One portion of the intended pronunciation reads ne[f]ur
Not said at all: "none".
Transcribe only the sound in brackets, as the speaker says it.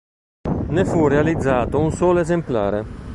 f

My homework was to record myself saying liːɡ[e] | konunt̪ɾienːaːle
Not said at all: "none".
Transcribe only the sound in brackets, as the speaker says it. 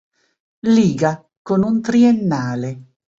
a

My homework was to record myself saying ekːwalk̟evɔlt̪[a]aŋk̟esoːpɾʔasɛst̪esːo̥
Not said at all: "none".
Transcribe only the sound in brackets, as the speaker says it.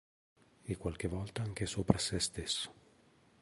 a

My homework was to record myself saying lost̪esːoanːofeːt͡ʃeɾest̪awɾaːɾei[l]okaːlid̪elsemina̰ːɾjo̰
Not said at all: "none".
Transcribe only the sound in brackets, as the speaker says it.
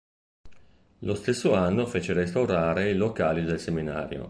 l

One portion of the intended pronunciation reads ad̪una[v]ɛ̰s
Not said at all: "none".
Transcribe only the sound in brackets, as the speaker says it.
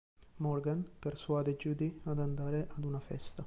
f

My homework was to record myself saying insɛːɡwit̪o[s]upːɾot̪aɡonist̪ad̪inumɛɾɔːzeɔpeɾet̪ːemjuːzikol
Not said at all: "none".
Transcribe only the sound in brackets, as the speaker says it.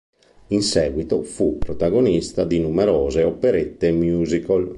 f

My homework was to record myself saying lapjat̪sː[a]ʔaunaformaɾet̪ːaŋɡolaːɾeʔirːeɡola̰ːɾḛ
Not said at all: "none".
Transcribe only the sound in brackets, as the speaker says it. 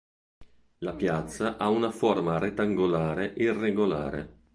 a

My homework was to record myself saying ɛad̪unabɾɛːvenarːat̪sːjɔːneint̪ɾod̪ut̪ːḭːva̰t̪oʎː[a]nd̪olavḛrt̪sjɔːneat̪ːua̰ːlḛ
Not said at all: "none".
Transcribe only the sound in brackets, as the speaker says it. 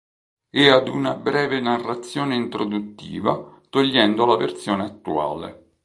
ɛ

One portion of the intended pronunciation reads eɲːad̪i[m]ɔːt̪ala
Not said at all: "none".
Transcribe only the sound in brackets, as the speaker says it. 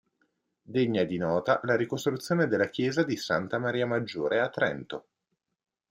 n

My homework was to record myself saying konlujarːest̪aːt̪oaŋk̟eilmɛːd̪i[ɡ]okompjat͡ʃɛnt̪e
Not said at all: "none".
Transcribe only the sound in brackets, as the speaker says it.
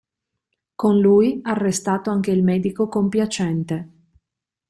k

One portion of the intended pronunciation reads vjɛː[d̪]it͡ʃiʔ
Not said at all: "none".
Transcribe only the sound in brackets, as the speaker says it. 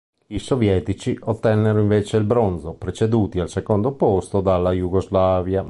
t̪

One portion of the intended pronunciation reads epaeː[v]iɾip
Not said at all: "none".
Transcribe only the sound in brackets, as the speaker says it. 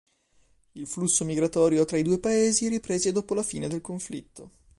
z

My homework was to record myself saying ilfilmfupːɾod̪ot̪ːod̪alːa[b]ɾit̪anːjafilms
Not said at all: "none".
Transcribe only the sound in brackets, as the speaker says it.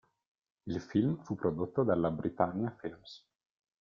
b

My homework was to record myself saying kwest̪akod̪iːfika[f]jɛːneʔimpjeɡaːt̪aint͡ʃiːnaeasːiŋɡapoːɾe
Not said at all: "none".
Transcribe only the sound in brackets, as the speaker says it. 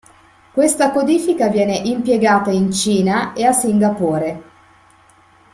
v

